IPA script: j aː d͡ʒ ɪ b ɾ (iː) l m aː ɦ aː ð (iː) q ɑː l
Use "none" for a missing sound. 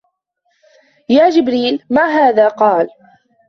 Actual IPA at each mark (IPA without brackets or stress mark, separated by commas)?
iː, aː